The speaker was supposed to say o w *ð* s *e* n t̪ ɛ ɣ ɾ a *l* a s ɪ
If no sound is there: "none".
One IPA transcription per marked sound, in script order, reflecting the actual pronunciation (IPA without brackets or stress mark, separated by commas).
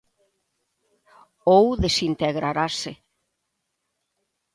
ð, i, ɾ